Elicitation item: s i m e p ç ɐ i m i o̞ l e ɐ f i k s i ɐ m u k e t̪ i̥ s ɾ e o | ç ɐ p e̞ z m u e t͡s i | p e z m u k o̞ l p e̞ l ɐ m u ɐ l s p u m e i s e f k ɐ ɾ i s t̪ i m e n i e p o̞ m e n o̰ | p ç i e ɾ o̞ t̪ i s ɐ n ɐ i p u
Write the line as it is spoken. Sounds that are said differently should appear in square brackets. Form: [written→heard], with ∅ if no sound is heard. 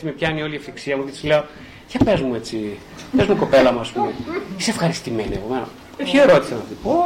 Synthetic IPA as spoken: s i m e p ç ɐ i [m→n] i o̞ l [e→i] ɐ f i k s i ɐ m u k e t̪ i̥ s [ɾ→l] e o | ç ɐ p e̞ z m u e t͡s i | p e z m u k o̞ [l→∅] p e̞ l ɐ m u ɐ [l→∅] s p u m e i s e f [k→x] ɐ ɾ i s t̪ i m e n i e p o̞ m e n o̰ | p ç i e ɾ o̞ t̪ i s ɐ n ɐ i p [u→o]